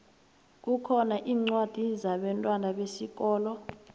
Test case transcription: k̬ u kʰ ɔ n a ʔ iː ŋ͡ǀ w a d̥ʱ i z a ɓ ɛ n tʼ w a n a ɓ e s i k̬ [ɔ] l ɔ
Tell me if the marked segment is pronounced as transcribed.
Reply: no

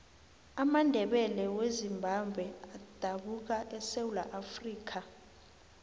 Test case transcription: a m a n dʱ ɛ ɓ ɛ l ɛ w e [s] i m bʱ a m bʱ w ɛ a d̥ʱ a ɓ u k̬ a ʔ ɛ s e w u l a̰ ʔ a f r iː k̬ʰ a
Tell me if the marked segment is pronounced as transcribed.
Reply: no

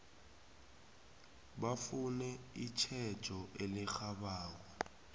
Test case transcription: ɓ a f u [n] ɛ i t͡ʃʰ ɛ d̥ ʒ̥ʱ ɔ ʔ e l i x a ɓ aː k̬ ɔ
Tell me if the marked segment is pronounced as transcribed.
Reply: yes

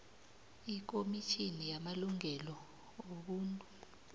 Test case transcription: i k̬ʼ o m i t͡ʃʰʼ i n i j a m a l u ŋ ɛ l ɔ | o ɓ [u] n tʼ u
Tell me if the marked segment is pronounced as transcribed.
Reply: no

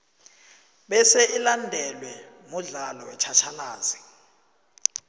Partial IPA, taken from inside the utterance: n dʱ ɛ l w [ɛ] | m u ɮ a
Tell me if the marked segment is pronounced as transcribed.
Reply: yes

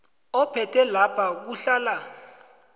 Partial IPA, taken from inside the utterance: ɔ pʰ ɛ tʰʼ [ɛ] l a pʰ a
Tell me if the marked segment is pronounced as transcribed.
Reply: yes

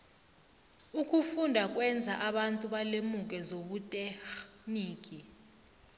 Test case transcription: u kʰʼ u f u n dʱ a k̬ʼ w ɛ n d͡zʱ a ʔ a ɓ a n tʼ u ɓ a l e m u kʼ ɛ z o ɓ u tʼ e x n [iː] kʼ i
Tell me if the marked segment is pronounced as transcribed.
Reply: yes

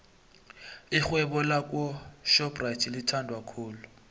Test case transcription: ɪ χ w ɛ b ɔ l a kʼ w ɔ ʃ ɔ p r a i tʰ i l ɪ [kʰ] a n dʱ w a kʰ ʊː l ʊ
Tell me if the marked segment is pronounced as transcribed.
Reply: no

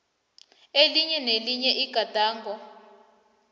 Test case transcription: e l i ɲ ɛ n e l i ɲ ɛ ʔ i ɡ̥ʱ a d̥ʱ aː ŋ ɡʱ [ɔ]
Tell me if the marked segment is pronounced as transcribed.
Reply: yes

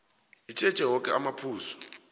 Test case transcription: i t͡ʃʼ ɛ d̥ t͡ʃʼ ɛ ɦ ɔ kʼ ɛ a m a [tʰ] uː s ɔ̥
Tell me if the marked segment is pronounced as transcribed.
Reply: no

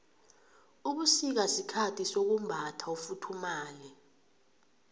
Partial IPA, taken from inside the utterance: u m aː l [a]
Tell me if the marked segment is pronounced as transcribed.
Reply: no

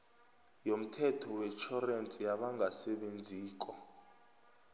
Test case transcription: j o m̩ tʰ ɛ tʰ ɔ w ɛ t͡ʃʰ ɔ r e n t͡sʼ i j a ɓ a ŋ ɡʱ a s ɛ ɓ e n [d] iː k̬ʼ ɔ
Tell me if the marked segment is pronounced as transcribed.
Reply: no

